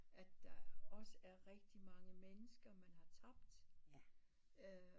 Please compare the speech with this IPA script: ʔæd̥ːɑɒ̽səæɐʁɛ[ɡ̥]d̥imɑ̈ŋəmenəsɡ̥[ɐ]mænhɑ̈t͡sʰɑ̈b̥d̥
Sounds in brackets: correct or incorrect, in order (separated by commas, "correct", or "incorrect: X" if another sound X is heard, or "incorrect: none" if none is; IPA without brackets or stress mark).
correct, correct